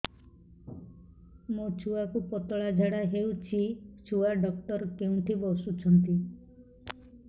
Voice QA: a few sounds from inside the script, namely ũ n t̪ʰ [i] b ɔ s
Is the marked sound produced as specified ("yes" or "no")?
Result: yes